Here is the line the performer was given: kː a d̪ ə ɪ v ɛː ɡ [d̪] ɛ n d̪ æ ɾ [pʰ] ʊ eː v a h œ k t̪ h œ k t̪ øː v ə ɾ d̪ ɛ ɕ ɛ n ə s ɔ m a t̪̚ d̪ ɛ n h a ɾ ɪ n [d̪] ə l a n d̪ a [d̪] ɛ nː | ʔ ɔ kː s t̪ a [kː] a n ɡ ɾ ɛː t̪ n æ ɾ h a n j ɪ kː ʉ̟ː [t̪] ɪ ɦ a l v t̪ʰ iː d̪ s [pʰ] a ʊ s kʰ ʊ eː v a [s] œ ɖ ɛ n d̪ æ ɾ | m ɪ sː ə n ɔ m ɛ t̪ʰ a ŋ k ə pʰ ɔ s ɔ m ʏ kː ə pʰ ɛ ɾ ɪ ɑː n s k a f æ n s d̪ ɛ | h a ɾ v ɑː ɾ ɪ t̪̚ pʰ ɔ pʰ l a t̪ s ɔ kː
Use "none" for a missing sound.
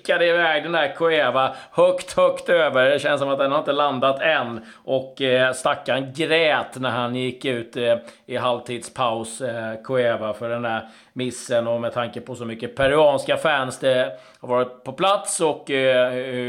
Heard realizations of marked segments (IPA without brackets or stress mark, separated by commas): d̪, kʰ, t̪, t̪, kː, t̪, pʰ, f